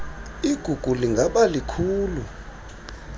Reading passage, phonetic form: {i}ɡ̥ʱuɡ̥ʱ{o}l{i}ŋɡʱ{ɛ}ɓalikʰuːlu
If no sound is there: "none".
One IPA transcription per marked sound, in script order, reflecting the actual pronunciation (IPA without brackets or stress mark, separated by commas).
i, u, i, a